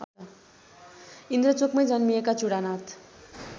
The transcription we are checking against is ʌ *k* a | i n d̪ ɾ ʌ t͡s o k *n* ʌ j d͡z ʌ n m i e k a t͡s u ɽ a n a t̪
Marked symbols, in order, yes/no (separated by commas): no, no